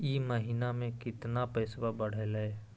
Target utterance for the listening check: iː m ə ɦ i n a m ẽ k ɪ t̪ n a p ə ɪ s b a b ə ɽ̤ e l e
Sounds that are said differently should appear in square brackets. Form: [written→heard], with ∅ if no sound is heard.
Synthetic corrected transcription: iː m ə ɦ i n a m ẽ k ɪ t̪ n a p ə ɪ s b a b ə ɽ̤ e l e